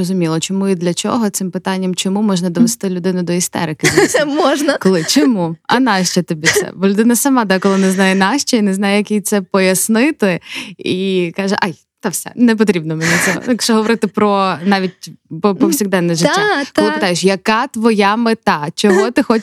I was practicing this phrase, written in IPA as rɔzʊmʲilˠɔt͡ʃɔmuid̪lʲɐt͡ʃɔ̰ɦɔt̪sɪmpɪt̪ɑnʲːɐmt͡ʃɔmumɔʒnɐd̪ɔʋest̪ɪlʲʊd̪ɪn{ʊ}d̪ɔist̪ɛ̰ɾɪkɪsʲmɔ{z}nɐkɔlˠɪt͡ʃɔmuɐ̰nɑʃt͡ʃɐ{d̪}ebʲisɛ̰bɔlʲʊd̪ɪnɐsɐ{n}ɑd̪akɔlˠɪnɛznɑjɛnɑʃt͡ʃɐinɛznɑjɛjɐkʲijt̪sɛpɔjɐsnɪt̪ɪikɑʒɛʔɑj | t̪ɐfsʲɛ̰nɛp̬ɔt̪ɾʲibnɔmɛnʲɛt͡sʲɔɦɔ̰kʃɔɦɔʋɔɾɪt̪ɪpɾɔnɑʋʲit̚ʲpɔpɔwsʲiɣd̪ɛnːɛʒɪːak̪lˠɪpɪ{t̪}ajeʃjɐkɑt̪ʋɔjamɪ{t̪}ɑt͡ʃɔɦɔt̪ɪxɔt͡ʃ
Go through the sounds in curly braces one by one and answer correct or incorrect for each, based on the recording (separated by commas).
correct, incorrect, incorrect, incorrect, correct, correct